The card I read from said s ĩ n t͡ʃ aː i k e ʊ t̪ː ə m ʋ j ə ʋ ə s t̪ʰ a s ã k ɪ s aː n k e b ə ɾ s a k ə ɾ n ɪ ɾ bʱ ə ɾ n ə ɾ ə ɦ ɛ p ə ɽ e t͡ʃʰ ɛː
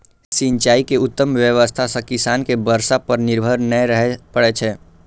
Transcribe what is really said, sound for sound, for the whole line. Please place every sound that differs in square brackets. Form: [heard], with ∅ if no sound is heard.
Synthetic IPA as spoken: s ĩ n t͡ʃ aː i k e ʊ t̪ː ə m ʋ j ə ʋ ə s t̪ʰ a s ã k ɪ s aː n k e b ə ɾ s a [p] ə ɾ n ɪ ɾ bʱ ə ɾ n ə ɾ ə ɦ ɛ p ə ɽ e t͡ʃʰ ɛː